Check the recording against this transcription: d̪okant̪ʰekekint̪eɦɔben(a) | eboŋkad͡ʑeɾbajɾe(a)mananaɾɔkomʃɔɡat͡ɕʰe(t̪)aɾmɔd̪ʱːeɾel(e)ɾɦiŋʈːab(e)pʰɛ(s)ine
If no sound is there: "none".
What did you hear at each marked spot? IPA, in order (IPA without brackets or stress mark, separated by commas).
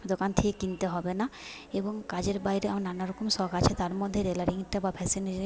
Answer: a, a, t̪, a, a, s